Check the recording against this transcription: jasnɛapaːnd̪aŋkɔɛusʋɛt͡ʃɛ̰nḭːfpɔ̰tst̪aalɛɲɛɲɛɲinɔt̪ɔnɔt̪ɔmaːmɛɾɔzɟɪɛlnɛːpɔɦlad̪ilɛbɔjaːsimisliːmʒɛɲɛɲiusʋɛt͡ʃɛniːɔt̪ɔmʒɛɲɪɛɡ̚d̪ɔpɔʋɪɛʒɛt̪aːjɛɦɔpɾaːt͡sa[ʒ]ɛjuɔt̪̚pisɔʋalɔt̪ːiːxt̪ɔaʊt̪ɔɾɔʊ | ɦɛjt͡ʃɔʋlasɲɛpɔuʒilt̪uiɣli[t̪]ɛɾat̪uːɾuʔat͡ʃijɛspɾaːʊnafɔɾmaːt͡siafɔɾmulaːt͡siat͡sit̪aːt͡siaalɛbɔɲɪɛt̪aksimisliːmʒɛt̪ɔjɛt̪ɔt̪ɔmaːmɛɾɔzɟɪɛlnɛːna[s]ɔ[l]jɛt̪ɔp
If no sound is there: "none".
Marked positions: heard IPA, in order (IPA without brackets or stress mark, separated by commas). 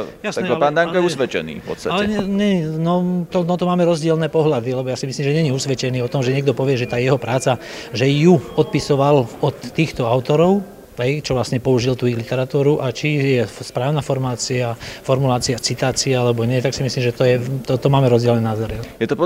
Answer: ʒ, t̪, z, ɾ